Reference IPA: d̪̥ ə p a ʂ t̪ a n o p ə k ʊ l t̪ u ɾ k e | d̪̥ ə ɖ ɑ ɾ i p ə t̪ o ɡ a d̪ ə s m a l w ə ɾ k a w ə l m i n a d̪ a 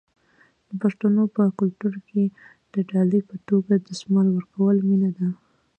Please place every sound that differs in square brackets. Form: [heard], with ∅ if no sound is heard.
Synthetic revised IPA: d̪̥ ə p a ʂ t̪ a n o p ə k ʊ l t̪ u ɾ k e | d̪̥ ə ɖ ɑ [l] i p ə t̪ o ɡ a d̪ ə s m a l w ə ɾ k a w ə l m i n a d̪ a